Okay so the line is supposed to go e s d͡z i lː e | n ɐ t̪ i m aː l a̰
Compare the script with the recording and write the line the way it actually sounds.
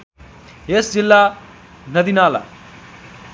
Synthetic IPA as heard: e s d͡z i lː a | n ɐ d̪ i n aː l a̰

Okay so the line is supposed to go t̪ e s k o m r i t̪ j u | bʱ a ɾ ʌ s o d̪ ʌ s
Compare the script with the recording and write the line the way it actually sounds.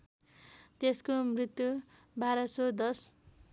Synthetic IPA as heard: t̪ e s k o m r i t̪ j u | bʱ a ɾ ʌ s o d̪ ʌ s

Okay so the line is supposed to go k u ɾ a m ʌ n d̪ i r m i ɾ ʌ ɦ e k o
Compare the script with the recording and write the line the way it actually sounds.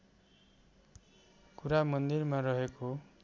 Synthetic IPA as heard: k u ɾ a m ʌ n d̪ i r m a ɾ ʌ ɦ e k o

